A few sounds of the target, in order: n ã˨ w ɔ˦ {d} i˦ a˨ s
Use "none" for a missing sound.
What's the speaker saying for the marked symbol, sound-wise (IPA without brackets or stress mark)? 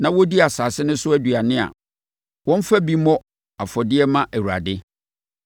d